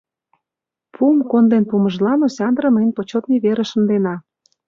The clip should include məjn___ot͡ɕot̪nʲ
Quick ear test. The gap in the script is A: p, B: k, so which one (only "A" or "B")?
A